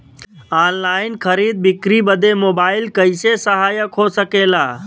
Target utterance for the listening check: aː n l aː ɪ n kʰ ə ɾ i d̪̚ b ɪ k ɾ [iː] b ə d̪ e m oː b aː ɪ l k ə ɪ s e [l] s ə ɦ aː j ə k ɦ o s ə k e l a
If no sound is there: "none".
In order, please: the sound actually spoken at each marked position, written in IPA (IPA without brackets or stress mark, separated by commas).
i, none